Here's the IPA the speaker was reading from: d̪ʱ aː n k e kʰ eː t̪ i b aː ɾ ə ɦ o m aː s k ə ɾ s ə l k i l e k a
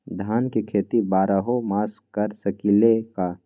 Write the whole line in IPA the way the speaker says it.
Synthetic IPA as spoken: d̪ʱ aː n k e kʰ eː t̪ i b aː ɾ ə ɦ o m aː s k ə ɾ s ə k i l e k a